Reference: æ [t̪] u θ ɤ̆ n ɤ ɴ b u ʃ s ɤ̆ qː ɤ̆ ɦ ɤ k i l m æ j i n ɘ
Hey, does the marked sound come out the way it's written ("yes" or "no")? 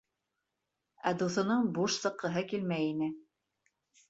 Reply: no